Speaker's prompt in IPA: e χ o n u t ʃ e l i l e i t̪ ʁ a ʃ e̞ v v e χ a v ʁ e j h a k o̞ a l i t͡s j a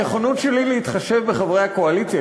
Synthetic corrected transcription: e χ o n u t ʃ e l i l e i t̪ χ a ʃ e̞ v b e χ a v ʁ e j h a k o̞ a l i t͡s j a